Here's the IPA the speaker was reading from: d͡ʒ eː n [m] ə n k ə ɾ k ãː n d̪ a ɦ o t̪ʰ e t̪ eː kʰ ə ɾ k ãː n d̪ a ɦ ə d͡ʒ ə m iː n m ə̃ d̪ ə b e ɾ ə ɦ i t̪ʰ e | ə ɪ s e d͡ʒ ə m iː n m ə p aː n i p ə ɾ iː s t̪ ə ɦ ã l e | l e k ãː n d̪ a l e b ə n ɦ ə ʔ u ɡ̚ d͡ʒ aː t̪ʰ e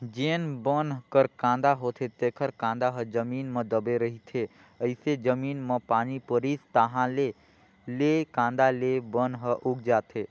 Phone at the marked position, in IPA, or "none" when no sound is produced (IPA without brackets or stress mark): b